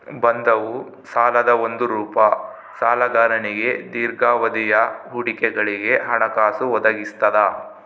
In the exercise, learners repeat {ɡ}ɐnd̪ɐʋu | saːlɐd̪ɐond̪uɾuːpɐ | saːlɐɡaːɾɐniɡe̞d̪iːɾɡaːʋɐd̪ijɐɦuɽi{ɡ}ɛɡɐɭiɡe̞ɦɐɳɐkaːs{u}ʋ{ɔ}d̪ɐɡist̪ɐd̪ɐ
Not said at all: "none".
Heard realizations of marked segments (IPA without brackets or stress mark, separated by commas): b, k, u, ɔ